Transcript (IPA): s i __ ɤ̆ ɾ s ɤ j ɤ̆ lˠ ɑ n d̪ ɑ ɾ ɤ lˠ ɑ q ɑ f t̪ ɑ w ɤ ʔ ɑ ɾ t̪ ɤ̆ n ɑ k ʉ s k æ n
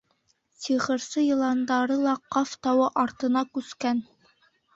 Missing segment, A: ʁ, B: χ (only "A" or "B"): A